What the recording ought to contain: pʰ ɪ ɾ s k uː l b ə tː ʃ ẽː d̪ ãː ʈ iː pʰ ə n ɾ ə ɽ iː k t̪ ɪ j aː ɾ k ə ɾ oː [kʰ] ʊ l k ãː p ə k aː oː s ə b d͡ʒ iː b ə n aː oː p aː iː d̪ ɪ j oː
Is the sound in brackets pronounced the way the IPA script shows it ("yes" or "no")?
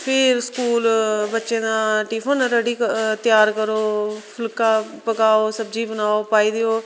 no